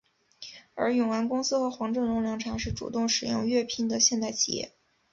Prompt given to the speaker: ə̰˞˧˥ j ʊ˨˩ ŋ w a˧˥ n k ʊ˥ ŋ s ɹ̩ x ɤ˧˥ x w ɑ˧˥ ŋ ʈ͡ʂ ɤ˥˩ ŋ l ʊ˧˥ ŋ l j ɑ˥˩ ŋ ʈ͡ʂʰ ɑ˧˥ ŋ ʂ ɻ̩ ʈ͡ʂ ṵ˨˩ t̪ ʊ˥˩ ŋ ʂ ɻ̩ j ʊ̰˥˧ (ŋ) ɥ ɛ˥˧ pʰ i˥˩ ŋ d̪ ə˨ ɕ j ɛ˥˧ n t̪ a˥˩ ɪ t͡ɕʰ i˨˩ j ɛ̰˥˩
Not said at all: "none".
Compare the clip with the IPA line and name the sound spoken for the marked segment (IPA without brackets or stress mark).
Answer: ŋ